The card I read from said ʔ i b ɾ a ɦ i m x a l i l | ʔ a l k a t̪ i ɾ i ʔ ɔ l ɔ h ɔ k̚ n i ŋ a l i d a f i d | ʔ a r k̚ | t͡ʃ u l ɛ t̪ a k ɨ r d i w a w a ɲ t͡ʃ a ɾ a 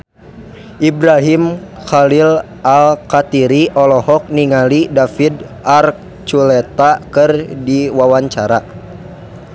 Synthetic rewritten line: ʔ i b ɾ a ɦ i m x a l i l | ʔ a l k a t̪ i ɾ i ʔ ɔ l ɔ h ɔ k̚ n i ŋ a l i d a f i d | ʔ a r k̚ | t͡ʃ u l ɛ t̪ a k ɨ r d i w a w a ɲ t͡ʃ a ɾ a